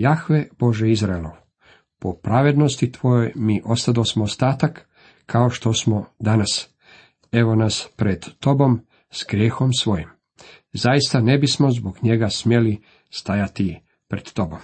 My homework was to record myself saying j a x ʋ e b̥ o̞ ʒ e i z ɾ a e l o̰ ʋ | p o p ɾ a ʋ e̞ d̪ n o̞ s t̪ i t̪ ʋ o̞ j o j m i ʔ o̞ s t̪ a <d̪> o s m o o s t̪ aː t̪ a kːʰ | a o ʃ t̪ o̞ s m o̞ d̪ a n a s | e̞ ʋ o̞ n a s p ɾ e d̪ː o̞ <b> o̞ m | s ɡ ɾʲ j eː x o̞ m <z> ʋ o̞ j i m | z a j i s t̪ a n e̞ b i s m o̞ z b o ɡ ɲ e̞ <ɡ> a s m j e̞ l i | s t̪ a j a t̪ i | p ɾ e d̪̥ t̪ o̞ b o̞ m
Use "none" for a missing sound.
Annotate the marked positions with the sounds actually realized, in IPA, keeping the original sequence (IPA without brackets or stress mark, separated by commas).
d̪, b, s, ɡ